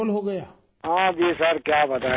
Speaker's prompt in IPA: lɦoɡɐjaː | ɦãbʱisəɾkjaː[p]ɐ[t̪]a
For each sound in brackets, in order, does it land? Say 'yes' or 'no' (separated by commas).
no, yes